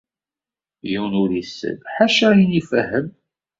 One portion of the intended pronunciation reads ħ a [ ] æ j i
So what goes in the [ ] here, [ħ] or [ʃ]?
ʃ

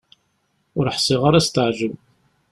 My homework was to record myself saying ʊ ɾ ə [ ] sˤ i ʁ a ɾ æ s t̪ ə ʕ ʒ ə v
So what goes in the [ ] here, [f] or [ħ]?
ħ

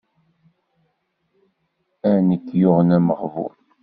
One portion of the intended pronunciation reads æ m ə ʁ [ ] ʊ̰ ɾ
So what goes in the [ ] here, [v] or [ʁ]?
v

